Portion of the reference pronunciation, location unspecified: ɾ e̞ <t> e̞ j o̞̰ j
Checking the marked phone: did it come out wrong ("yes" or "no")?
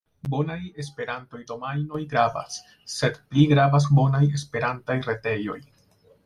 no